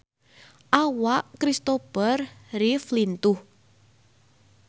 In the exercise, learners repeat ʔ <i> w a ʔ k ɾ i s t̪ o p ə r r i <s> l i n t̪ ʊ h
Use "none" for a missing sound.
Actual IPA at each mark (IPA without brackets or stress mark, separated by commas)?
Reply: a, f